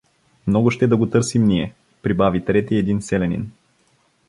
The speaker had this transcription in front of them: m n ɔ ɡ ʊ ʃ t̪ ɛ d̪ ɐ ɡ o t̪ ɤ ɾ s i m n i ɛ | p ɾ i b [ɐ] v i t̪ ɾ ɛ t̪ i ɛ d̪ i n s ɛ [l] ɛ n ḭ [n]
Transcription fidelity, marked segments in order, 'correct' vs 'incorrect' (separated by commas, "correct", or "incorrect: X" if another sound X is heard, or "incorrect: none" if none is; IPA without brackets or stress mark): incorrect: a, correct, correct